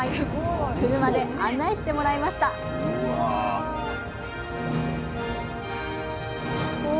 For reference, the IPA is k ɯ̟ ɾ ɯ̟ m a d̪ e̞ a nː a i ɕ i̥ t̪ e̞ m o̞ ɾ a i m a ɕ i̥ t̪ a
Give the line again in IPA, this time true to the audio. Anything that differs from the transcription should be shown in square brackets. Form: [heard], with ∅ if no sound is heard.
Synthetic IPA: k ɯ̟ ɾ ɯ̟ m a d̪ e̞ a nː a i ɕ i̥ t̪ e̞ m o̞ ɾ a i m a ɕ i̥ t̪ a

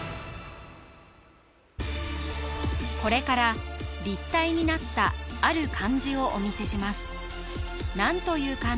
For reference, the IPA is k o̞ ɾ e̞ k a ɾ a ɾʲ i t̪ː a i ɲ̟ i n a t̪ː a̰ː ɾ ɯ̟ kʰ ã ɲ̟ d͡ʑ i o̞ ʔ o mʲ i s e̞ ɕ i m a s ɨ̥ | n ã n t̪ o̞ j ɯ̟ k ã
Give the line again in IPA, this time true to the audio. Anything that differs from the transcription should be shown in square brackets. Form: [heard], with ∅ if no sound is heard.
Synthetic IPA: k o̞ ɾ e̞ k a ɾ a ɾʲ i t̪ː a i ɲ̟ i n a t̪ː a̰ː ɾ ɯ̟ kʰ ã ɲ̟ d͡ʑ i o̞ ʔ o mʲ i s e̞ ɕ i m a s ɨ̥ | n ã n t̪ o̞ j [ɯ̟ː] k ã

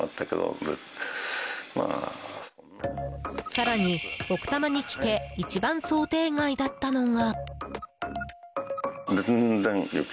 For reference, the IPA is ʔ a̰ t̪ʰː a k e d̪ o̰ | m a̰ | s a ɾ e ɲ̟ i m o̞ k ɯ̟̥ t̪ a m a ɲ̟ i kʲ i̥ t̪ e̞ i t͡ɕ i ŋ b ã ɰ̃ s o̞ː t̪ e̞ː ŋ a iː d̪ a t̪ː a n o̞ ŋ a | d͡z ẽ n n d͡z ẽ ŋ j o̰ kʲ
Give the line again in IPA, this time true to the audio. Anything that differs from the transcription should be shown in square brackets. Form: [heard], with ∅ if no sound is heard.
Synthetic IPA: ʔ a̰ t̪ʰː a k e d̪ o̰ | m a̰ | s a ɾ [a] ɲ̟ i [∅] o̞ k ɯ̟̥ t̪ a m a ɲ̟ i kʲ i̥ t̪ e̞ i t͡ɕ i [∅] b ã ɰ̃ s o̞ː t̪ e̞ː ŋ a [i] d̪ a t̪ː a n o̞ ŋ a | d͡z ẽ n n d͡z ẽ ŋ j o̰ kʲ

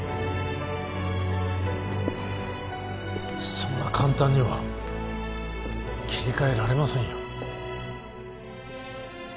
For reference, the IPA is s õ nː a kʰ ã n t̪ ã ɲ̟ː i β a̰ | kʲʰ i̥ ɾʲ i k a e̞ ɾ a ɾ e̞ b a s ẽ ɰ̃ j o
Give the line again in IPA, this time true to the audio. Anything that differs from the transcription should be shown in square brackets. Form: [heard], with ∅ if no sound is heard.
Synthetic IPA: s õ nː a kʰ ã n t̪ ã ɲ̟ː i β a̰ | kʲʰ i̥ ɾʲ i k a e̞ ɾ a ɾ e̞ [m] a s ẽ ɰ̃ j o

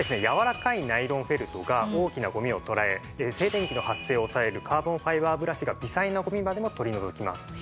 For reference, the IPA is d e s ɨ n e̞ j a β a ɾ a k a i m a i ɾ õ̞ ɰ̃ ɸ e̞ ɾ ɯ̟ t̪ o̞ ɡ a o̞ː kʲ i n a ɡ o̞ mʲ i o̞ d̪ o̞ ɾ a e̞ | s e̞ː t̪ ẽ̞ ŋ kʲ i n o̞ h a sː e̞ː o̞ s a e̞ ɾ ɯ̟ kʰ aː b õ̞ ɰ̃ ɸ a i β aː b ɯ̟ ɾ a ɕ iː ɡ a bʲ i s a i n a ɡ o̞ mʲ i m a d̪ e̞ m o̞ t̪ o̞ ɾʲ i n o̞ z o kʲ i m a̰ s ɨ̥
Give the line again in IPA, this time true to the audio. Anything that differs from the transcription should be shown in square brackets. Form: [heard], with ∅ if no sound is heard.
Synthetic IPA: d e s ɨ n e̞ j a β a ɾ a k a i [n] a i ɾ õ̞ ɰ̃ ɸ e̞ ɾ ɯ̟ t̪ o̞ ɡ a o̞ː kʲ i n a ɡ o̞ mʲ i o̞ [t̪] o̞ ɾ a e̞ | s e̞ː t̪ ẽ̞ ŋ kʲ i n o̞ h a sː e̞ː o̞ s a e̞ ɾ ɯ̟ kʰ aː b õ̞ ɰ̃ ɸ a i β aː b ɯ̟ ɾ a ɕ [i] ɡ a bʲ i s a i n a ɡ o̞ mʲ i m a d̪ e̞ m o̞ t̪ o̞ ɾʲ i n o̞ z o kʲ i m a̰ s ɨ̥

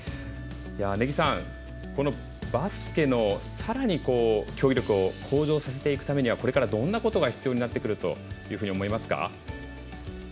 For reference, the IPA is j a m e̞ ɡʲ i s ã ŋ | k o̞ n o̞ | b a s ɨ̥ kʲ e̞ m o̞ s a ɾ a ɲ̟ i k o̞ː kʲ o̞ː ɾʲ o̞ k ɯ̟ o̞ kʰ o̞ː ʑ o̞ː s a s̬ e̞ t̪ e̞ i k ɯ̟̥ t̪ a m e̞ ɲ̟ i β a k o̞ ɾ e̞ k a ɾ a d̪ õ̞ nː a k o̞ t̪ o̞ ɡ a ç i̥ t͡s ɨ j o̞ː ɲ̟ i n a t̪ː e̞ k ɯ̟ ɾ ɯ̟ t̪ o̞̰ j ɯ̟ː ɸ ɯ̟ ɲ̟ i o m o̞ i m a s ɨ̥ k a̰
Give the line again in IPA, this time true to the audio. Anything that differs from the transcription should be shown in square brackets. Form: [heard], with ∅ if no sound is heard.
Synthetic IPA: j a [n] e̞ ɡʲ i s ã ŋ | k o̞ n o̞ | b a s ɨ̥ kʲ e̞ [n] o̞ s a ɾ a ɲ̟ i k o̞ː kʲ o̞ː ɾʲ o̞ k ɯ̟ o̞ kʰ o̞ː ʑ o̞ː s a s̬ e̞ t̪ e̞ i k ɯ̟̥ t̪ a m e̞ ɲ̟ i β a k o̞ ɾ e̞ k a ɾ a d̪ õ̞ nː a k o̞ t̪ o̞ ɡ a ç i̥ t͡s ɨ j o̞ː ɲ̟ i n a t̪ː e̞ k ɯ̟ ɾ ɯ̟ t̪ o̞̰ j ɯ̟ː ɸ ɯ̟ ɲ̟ i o m o̞ i m a s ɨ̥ k a̰

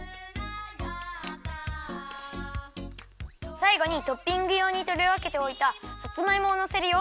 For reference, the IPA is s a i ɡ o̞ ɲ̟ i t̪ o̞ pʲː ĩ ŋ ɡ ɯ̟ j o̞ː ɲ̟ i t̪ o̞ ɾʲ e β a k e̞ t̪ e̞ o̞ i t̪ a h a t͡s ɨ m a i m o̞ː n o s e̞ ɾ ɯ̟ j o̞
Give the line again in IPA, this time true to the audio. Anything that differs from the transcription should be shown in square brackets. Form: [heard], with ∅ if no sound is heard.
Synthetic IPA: s a i ɡ o̞ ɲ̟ i t̪ o̞ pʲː ĩ ŋ ɡ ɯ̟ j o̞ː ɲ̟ i t̪ o̞ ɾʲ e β a k e̞ t̪ e̞ o̞ i t̪ a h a t͡s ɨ m a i m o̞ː n o s e̞ ɾ ɯ̟ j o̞

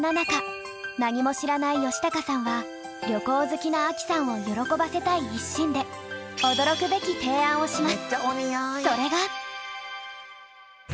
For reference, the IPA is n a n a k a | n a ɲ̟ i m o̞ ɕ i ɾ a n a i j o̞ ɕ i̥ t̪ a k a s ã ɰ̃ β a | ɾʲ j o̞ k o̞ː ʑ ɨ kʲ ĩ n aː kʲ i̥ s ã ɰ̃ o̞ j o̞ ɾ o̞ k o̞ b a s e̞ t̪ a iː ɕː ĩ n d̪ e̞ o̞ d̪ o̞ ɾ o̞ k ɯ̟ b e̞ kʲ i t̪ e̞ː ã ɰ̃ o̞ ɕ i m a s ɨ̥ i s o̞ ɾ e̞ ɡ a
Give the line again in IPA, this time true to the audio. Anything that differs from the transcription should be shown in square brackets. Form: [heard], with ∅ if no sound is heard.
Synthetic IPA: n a n a k a | n a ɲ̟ i m o̞ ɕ i ɾ a n a i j o̞ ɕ i̥ t̪ a k a s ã ɰ̃ β a | ɾʲ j o̞ k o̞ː [z] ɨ kʲ [i] n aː kʲ i̥ s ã ɰ̃ o̞ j o̞ ɾ o̞ k o̞ b a s e̞ t̪ a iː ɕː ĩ n d̪ e̞ o̞ d̪ o̞ ɾ o̞ k ɯ̟ b e̞ kʲ i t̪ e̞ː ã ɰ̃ o̞ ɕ i m a s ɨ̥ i s o̞ ɾ e̞ ɡ a

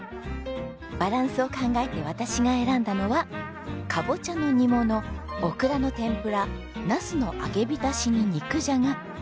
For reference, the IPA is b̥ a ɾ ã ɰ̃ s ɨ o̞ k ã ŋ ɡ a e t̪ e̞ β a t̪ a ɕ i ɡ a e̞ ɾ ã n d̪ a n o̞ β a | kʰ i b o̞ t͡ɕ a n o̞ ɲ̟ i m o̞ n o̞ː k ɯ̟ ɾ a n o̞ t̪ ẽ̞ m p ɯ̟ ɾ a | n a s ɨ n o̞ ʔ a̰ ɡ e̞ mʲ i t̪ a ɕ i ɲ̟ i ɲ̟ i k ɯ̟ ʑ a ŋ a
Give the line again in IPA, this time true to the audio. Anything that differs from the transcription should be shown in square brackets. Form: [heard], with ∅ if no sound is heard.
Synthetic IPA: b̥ a ɾ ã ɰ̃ s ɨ o̞ k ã ŋ ɡ a e t̪ e̞ β a t̪ a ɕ i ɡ a e̞ ɾ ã n d̪ a n o̞ β a | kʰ [a] b o̞ t͡ɕ a n o̞ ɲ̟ i m o̞ n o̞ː k ɯ̟ ɾ a n o̞ t̪ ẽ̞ m p ɯ̟ ɾ a | n a s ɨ n o̞ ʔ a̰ ɡ e̞ [bʲ] i t̪ a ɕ i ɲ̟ i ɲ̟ i k ɯ̟ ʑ a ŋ a

